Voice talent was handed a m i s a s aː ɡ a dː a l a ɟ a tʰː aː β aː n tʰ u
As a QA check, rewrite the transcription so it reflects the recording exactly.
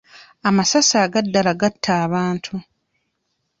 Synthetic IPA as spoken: a m a s a s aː ɡ a dː a l a ɡ a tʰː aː β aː n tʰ u